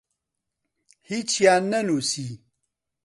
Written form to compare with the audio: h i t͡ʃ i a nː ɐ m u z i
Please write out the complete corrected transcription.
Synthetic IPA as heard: h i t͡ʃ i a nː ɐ n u s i

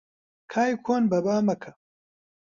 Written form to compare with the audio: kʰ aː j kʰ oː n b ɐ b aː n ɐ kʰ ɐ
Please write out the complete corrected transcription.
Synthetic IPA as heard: kʰ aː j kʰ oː n b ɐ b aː m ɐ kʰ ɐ

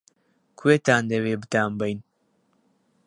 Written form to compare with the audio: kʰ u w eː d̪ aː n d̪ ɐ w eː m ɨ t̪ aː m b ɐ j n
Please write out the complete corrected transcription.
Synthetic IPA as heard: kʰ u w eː t̪ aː n d̪ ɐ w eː b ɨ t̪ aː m b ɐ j n

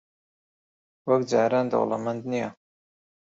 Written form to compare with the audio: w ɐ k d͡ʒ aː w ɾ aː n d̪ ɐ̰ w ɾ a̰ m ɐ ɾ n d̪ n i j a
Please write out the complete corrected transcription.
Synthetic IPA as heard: w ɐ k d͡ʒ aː ɾ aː n d̪ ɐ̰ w l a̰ m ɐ n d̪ n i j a

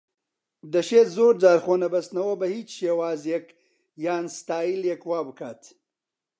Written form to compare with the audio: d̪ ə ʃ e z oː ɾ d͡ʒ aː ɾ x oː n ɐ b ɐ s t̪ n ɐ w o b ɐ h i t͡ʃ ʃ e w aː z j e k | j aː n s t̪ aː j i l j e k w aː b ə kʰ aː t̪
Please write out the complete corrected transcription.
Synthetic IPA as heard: d̪ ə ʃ e z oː ɾ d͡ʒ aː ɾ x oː n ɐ b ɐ s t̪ n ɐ w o b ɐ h i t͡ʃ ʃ e w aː z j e k | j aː n s t̪ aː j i l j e k w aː b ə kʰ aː t̪

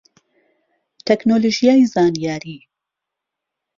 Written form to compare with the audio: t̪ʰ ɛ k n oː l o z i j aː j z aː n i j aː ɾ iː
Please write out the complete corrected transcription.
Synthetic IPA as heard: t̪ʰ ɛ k n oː l o ʒ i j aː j z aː n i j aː ɾ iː

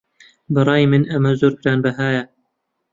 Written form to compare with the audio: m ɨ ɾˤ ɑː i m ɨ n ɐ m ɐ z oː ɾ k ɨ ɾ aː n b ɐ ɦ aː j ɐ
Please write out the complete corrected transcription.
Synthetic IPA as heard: b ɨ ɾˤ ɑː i m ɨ n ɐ m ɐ z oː ɾ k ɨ ɾ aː n b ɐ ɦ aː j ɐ

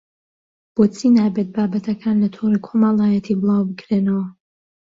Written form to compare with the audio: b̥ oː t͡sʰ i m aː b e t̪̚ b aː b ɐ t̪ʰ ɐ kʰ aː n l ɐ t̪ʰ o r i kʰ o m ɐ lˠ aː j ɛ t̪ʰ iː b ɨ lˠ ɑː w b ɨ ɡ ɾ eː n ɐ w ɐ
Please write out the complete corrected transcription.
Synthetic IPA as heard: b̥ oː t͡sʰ i n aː b e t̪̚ b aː b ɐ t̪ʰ ɐ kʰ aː n l ɐ t̪ʰ o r i kʰ o m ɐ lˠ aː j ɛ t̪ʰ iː b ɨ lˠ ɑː w b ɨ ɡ ɾ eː n ɐ w ɐ

